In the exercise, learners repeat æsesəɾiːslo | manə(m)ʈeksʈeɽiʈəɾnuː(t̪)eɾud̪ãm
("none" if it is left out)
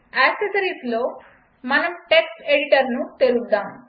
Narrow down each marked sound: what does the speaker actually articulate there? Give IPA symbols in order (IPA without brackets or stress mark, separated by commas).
m, t̪